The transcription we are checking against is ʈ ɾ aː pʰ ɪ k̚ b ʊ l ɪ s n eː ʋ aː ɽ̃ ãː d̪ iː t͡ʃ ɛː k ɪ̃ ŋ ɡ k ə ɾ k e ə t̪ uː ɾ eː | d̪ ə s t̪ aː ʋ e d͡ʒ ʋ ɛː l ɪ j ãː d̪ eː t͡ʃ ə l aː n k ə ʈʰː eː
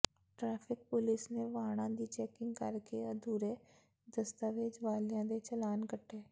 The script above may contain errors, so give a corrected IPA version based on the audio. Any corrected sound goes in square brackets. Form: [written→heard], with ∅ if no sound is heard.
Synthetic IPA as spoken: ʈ ɾ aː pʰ ɪ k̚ [b→p] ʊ l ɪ s n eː ʋ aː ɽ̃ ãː d̪ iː t͡ʃ ɛː k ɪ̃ ŋ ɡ k ə ɾ k e ə [t̪→d̪] uː ɾ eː | d̪ ə s t̪ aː ʋ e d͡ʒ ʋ [ɛː→aː] l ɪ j ãː d̪ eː t͡ʃ ə l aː n k ə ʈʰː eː

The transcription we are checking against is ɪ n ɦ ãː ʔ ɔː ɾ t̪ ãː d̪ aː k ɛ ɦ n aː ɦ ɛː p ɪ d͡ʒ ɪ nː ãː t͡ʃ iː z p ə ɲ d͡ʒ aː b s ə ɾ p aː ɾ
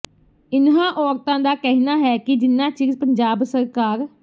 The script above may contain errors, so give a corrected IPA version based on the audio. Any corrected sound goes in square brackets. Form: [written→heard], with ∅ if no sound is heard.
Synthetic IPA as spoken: ɪ n ɦ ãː ʔ ɔː ɾ t̪ ãː d̪ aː k ɛ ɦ n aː ɦ ɛː [p→k] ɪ d͡ʒ ɪ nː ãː t͡ʃ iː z p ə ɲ d͡ʒ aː b s ə ɾ [p→k] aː ɾ

